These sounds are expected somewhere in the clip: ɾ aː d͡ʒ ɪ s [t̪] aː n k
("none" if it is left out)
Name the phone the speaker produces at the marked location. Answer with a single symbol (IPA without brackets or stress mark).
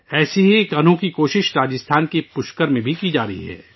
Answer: t̪ʰ